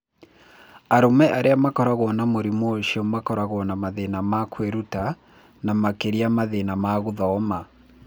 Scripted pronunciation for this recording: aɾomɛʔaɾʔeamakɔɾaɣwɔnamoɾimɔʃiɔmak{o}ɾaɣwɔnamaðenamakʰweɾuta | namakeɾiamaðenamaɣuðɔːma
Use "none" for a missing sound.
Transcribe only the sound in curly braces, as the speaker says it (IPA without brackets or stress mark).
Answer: ɔ